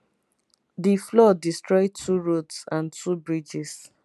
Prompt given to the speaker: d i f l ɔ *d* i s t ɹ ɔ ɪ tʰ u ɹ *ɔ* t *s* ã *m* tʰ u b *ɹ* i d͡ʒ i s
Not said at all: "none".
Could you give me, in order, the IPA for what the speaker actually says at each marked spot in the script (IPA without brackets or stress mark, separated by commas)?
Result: d, o, s, n, ɹ